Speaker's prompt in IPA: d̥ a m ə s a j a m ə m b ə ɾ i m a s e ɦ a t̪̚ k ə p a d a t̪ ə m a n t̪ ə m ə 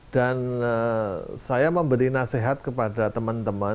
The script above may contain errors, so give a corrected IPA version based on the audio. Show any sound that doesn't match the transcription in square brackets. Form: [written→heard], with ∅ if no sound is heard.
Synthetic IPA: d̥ a [m→n] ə s a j a m ə m b ə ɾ i [m→n] a s e ɦ a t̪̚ k ə p a d a t̪ ə m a n t̪ ə m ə